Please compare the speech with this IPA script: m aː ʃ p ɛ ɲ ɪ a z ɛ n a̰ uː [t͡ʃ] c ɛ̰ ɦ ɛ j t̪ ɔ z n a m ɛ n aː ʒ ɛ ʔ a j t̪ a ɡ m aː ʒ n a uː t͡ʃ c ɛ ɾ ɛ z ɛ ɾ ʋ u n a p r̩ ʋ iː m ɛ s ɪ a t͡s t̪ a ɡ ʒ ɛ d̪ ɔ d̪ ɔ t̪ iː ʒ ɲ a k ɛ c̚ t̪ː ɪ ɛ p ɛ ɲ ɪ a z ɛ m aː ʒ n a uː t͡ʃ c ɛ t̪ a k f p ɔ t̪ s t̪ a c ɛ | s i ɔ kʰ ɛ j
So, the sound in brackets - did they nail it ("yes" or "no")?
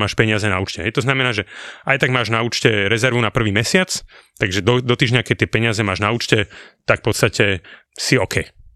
yes